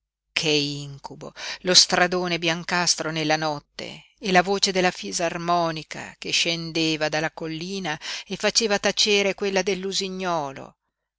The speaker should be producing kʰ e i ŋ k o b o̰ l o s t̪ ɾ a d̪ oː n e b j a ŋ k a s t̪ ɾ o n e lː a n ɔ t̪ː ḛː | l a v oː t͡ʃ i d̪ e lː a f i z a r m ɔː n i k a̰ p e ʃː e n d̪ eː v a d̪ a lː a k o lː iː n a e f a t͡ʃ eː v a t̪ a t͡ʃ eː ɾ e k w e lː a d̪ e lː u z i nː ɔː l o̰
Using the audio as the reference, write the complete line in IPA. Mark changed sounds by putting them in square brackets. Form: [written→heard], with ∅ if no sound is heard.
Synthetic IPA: kʰ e i ŋ k [o→u] b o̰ l o s t̪ ɾ a d̪ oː n e b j a ŋ k a s t̪ ɾ o n e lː a n ɔ t̪ː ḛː | l a v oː t͡ʃ [i→e] d̪ e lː a f i z a r m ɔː n i k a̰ [p→k] e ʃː e n d̪ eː v a d̪ a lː a k o lː iː n a e f a t͡ʃ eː v a t̪ a t͡ʃ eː ɾ e k w e lː a d̪ e lː u z i [nː→ɲː] ɔː l o̰